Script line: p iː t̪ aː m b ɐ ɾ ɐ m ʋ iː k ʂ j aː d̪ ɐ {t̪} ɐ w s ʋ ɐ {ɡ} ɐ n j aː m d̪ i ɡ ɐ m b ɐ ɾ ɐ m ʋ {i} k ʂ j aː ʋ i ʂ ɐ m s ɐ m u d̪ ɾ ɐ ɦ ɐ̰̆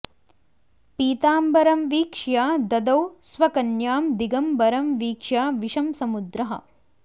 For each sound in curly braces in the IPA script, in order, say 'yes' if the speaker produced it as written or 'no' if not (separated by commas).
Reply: no, no, no